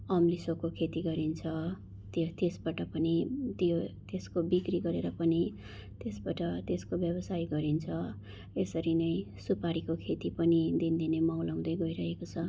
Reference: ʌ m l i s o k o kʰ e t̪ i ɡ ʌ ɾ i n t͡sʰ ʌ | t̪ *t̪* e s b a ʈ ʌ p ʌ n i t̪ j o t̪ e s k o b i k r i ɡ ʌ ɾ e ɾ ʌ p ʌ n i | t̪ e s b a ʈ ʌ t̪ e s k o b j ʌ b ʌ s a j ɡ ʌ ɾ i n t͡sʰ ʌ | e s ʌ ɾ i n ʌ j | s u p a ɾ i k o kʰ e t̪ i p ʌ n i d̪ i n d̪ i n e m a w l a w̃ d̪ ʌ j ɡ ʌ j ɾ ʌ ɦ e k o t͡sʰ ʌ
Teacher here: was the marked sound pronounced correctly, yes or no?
yes